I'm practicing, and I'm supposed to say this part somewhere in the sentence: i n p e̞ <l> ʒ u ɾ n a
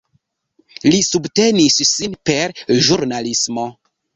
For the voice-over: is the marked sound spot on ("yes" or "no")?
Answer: no